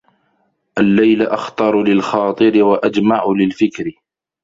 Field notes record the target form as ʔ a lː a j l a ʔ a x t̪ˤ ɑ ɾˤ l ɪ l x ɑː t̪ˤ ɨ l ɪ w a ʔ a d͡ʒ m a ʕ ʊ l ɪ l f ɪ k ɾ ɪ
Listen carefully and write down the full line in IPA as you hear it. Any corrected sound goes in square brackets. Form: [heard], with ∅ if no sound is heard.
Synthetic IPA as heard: ʔ a lː a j l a ʔ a x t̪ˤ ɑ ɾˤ l ɪ l x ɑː t̪ˤ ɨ [ɾ] ɪ w a ʔ a d͡ʒ m a ʕ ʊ l ɪ l f ɪ k ɾ ɪ